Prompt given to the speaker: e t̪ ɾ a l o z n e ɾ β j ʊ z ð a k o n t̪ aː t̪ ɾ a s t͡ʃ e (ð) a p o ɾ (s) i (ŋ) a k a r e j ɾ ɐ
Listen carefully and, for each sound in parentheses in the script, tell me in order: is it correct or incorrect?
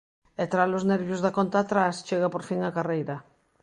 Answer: incorrect, incorrect, correct

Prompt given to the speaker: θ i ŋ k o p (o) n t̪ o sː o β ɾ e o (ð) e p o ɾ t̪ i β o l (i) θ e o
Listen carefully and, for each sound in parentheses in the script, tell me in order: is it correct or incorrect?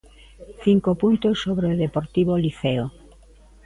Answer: incorrect, correct, correct

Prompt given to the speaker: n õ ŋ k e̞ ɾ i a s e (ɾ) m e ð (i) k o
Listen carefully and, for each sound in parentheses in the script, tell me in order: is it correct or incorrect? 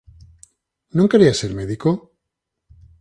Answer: correct, correct

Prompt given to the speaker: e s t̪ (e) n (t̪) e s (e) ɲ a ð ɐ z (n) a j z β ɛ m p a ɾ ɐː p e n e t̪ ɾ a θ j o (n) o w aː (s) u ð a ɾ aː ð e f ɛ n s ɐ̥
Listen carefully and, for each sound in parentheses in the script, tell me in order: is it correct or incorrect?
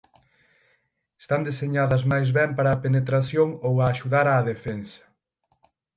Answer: incorrect, incorrect, correct, incorrect, incorrect, incorrect

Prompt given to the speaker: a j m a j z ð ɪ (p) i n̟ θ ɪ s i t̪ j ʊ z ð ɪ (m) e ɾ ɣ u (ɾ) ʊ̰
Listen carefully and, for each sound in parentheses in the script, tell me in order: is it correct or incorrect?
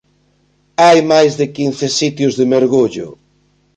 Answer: incorrect, correct, incorrect

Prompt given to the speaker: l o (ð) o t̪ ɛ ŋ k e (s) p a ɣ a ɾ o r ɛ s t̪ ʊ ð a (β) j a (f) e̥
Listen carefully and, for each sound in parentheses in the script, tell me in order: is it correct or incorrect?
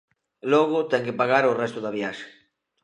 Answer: incorrect, incorrect, correct, incorrect

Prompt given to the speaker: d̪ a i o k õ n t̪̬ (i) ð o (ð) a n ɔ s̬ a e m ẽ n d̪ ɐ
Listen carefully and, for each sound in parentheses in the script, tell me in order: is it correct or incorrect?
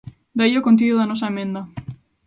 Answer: correct, correct

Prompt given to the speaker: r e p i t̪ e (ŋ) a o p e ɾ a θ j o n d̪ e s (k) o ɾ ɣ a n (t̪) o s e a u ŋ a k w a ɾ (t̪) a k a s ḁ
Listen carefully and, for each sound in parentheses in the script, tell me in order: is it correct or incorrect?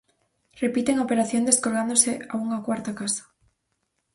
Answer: correct, correct, incorrect, correct

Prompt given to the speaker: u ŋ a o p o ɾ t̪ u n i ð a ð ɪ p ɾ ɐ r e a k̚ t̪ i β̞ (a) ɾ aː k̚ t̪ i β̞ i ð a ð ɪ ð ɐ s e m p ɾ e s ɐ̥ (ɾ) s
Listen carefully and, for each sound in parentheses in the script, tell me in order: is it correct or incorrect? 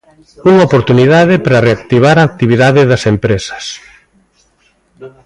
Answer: correct, incorrect

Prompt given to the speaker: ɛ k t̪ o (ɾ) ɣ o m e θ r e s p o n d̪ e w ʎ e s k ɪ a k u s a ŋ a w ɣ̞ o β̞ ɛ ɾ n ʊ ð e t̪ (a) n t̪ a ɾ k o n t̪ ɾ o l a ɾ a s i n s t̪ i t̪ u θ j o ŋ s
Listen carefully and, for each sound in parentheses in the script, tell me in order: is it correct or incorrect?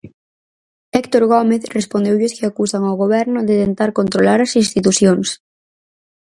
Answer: correct, incorrect

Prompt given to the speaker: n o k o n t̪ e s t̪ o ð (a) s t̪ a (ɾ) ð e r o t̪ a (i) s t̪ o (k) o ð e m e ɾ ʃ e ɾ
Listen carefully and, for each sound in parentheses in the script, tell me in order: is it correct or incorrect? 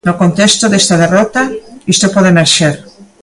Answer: incorrect, incorrect, correct, incorrect

